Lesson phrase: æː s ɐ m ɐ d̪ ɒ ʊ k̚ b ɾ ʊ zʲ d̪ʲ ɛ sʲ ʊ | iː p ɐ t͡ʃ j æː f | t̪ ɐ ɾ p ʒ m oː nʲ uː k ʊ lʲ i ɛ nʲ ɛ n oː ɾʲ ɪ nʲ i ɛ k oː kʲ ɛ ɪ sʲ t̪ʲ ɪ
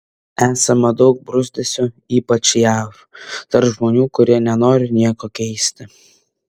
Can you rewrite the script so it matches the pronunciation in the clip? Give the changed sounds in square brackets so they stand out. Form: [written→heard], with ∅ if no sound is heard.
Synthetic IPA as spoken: æː s ɐ m ɐ d̪ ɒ ʊ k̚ b ɾ ʊ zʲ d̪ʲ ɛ sʲ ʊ | iː p ɐ t͡ʃ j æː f | t̪ ɐ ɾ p ʒ m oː nʲ uː k ʊ [lʲ→ɾʲ] i ɛ nʲ ɛ n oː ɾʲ ɪ nʲ i ɛ k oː kʲ ɛ ɪ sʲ t̪ʲ ɪ